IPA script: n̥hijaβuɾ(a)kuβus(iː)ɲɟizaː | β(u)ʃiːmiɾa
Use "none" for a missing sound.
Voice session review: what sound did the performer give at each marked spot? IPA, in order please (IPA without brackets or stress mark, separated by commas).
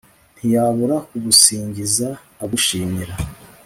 a, iː, u